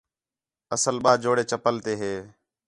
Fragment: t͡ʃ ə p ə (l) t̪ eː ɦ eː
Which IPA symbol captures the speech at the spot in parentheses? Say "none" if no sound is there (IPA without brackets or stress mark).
l